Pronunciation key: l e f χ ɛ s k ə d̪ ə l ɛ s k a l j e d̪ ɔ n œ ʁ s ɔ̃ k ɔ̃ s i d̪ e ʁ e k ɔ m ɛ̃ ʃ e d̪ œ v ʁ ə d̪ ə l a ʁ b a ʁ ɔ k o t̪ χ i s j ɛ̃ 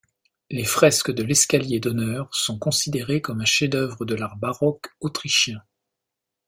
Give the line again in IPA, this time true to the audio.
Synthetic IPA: l e f χ ɛ s k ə d̪ ə l ɛ s k a l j e d̪ ɔ n œ ʁ s ɔ̃ k ɔ̃ s i d̪ e ʁ e k ɔ m ɛ̃ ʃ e d̪ œ v ʁ ə d̪ ə l a ʁ b a ʁ ɔ k o t̪ χ i ʃ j ɛ̃